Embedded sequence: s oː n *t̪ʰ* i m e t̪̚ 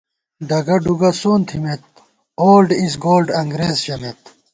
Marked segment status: correct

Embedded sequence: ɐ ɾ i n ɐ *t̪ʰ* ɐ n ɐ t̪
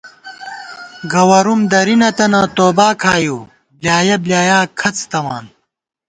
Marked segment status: incorrect: t̪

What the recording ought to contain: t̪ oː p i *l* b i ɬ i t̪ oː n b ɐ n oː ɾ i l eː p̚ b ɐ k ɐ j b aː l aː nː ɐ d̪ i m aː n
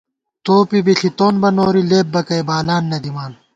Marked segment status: incorrect: none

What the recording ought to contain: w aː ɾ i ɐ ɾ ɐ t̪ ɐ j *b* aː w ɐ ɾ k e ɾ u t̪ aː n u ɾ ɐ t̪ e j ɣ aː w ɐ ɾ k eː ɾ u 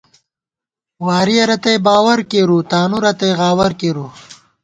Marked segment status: correct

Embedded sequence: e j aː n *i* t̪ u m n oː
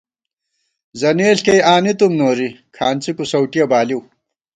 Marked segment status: correct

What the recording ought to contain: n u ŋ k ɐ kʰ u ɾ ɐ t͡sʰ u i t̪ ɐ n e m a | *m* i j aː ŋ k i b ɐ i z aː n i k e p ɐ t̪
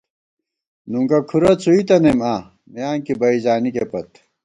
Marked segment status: correct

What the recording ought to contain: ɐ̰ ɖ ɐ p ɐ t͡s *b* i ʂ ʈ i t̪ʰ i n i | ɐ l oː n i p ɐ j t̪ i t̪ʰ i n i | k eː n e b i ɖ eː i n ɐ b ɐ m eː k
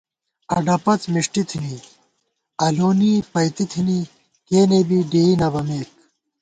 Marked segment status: incorrect: m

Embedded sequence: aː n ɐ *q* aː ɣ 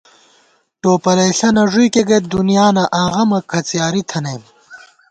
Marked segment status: incorrect: ʔ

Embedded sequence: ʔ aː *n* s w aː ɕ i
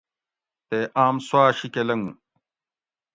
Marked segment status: incorrect: m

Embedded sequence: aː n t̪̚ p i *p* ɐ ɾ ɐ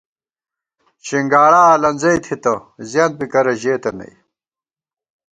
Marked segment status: incorrect: k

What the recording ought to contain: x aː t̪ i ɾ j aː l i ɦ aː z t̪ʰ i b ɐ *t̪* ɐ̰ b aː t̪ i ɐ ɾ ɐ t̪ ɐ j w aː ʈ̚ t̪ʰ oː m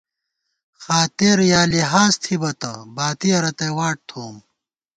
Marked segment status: correct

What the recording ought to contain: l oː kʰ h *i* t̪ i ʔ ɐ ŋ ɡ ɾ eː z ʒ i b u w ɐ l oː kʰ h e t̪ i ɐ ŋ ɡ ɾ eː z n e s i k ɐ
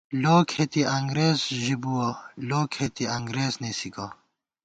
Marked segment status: incorrect: e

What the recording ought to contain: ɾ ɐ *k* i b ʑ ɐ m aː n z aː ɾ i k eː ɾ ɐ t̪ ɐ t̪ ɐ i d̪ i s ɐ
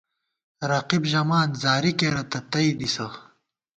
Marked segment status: incorrect: q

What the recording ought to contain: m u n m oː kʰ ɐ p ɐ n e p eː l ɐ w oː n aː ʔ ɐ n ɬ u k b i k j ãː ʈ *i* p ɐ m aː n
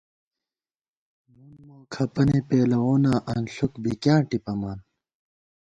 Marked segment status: correct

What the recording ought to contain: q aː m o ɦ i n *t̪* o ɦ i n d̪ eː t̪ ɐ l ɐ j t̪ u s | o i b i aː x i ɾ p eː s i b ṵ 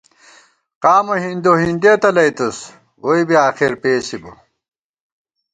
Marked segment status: incorrect: d̪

